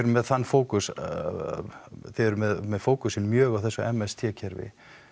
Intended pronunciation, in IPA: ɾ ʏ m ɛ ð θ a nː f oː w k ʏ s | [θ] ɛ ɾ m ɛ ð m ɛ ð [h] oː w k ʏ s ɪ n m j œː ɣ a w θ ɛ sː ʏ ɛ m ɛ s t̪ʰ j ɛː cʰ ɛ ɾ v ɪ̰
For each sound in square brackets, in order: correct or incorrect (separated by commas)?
correct, incorrect